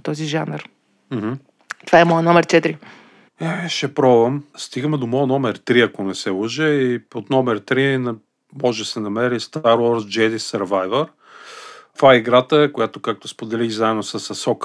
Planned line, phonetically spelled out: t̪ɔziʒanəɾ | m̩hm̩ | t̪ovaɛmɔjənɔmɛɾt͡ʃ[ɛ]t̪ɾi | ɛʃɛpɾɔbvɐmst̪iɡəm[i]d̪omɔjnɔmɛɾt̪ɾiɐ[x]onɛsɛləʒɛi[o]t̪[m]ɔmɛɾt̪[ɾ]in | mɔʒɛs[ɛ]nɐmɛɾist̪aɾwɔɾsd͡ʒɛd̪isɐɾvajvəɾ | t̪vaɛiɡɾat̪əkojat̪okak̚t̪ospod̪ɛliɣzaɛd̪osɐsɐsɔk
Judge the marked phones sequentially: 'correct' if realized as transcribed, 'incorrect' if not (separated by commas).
correct, incorrect, incorrect, correct, incorrect, correct, correct